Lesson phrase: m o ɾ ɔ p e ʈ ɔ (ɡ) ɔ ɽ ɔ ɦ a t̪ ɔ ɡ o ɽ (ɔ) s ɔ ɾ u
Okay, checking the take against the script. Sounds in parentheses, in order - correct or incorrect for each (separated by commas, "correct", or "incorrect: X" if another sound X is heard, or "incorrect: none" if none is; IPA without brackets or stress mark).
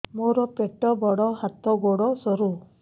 incorrect: b, correct